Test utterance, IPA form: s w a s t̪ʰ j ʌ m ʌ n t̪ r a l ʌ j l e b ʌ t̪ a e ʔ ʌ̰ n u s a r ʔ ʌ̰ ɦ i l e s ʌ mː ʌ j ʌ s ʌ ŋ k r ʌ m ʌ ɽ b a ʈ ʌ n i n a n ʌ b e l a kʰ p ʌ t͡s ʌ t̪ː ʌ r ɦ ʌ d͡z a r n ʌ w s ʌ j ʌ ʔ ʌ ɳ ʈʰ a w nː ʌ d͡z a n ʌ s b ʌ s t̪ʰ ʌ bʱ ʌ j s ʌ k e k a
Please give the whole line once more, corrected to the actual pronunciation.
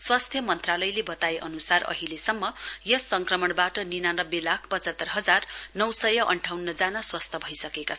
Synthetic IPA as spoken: s w a s t̪ʰ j ʌ m ʌ n t̪ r a l ʌ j l e b ʌ t̪ a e ʔ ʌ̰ n u s a r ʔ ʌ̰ ɦ i l e s ʌ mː ʌ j ʌ s ʌ ŋ k r ʌ m ʌ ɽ b a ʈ ʌ n i n a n ʌ b e l a kʰ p ʌ t͡s ʌ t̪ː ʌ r ɦ ʌ d͡z a r n ʌ w s ʌ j ʌ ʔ ʌ ɳ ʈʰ a w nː ʌ d͡z a n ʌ s w ʌ s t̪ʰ ʌ bʱ ʌ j s ʌ k e k a